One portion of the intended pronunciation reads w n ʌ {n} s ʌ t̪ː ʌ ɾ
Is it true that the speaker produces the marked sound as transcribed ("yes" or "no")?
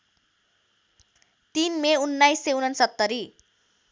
yes